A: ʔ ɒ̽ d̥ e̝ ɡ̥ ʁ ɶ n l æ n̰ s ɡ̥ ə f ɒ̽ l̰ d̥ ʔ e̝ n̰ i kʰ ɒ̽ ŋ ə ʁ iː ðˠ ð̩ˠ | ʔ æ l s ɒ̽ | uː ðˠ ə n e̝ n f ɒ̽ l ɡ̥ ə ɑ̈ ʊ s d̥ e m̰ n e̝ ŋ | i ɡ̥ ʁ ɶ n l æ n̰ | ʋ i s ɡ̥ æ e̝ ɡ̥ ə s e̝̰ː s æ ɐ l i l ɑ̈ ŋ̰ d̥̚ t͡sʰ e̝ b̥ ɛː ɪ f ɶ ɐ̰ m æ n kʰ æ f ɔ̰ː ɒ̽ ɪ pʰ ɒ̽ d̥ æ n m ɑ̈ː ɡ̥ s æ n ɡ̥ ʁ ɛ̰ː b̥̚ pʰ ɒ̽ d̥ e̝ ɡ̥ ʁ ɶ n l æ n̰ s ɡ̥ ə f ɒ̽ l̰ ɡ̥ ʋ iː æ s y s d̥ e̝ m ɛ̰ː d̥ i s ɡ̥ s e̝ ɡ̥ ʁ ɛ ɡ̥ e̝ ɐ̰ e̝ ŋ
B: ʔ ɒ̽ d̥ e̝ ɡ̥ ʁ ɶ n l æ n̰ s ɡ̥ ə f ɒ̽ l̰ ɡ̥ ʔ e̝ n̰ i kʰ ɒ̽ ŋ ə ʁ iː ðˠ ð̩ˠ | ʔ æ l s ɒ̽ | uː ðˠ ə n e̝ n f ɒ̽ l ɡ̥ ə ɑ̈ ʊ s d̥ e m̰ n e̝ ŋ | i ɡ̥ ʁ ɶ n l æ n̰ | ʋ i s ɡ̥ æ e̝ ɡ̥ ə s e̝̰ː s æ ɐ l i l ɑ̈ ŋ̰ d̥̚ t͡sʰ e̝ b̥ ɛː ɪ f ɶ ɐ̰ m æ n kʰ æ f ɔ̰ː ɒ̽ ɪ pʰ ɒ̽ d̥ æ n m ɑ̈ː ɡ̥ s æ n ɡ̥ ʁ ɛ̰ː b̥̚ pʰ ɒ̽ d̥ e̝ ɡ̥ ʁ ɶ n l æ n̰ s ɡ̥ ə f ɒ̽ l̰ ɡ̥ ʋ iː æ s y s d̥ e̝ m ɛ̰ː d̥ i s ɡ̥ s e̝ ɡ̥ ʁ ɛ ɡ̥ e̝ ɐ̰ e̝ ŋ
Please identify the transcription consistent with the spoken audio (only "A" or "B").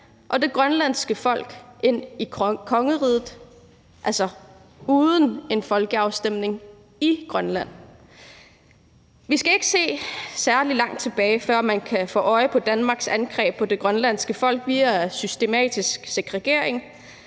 B